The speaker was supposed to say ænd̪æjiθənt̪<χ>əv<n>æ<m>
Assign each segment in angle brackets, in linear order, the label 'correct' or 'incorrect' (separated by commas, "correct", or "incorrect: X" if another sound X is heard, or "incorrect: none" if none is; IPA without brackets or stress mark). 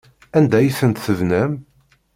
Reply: incorrect: θ, correct, correct